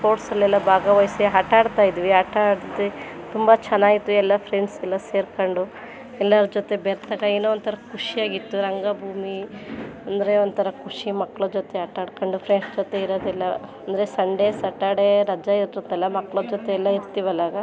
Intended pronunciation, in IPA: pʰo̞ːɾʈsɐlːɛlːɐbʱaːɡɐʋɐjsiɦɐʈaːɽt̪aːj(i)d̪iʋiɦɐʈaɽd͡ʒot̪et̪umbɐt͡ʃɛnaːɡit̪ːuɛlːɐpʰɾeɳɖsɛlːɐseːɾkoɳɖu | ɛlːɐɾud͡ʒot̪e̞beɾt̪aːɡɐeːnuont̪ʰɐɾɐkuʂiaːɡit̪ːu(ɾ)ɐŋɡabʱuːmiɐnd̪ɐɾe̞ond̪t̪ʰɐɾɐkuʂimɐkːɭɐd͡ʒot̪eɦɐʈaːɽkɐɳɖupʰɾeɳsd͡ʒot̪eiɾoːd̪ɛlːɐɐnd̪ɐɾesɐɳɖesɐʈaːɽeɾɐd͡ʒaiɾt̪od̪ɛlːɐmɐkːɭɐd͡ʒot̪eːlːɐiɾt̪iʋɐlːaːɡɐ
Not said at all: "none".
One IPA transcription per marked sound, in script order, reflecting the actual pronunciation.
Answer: i, ɾ

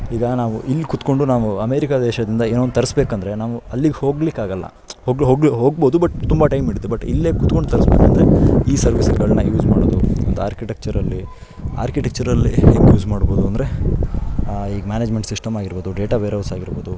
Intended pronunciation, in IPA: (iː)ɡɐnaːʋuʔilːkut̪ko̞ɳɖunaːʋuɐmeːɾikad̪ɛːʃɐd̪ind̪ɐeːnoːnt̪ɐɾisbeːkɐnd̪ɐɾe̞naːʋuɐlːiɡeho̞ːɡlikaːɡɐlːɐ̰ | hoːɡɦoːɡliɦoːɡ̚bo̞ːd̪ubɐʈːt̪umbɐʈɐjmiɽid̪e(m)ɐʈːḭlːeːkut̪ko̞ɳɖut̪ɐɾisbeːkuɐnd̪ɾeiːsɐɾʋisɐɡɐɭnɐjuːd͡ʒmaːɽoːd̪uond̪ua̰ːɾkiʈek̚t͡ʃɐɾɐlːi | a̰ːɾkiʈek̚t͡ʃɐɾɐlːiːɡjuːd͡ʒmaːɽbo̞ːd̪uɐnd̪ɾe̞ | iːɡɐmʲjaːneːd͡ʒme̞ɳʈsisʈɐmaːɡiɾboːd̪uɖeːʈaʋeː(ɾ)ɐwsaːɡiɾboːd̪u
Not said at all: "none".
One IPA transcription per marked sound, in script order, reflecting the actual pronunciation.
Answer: iː, b, ɾ

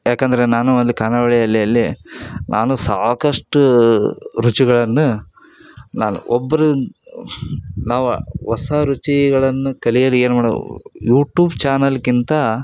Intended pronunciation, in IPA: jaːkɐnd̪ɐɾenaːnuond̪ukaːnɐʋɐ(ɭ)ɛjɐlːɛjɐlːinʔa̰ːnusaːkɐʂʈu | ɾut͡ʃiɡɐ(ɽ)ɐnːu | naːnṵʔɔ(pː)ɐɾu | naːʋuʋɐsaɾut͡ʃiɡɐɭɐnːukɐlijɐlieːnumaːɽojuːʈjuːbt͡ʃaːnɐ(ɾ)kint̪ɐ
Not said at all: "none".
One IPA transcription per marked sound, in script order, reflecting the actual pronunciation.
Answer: ɭ, ɭ, bː, l

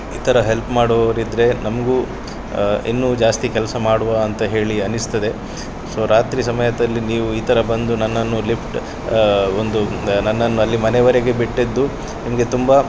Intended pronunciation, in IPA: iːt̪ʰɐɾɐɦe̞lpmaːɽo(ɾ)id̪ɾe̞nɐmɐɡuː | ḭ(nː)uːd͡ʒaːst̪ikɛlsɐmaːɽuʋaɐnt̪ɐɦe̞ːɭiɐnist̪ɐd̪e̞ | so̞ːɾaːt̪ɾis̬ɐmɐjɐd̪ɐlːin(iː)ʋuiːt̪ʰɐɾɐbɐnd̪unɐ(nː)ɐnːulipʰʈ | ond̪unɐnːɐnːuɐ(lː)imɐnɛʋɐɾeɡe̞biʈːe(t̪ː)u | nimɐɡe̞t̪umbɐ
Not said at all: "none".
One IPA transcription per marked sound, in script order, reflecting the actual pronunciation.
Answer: ɾ, nː, iː, nː, lː, d̪ː

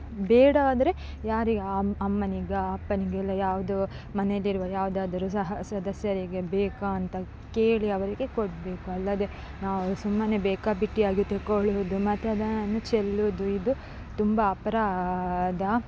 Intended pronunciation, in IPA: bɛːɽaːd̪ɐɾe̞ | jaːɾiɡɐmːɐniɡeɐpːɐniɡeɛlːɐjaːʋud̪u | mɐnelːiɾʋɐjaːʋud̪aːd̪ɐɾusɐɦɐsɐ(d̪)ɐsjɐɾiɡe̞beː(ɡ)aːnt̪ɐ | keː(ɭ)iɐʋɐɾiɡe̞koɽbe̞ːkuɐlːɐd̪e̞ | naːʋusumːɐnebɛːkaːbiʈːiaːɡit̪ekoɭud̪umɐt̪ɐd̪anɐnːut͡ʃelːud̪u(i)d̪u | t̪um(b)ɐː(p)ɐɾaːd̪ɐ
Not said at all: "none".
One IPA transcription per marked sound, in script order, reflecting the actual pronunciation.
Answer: d̪, k, ɭ, i, b, p

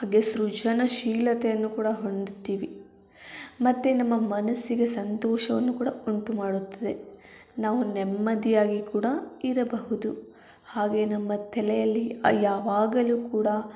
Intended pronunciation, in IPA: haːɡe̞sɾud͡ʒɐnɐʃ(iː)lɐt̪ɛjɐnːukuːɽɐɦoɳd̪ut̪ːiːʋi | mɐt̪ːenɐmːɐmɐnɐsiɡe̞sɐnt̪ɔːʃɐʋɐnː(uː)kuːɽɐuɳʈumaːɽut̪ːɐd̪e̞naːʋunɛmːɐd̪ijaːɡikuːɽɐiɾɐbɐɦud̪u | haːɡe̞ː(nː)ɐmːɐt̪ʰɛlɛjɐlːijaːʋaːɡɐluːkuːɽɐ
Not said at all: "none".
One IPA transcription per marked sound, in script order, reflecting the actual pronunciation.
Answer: iː, u, n

